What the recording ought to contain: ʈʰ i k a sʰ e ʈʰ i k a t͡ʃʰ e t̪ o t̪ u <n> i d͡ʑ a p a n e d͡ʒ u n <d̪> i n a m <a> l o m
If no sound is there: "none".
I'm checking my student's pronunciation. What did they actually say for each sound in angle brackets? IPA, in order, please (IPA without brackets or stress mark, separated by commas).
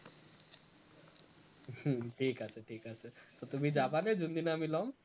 m, d̪, i